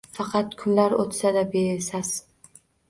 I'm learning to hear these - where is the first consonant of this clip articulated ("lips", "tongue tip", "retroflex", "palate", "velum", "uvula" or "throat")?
lips